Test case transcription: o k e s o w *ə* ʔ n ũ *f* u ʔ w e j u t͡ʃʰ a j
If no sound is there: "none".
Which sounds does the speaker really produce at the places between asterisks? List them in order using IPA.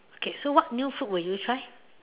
a, f

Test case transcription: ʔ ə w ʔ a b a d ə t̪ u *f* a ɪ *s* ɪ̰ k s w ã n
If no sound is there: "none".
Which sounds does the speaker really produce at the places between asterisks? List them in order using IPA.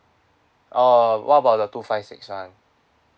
f, s

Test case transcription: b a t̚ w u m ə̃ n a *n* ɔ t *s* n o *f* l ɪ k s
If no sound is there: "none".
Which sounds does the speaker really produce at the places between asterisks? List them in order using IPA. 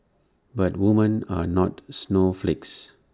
n, s, f

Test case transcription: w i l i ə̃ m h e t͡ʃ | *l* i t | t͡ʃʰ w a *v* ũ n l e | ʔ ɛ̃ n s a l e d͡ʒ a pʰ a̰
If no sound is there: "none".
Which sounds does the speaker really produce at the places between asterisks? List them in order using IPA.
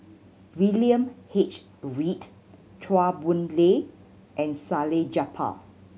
ɹ, b

